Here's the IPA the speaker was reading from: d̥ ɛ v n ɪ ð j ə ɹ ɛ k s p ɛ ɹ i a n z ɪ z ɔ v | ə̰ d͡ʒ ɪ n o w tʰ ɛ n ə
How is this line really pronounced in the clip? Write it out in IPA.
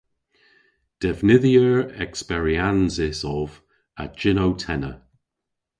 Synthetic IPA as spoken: d̥ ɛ v n ɪ ð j ə ɹ ɛ k s p ɛ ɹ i a n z ɪ s ɔ v | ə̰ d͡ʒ ɪ n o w tʰ ɛ n ə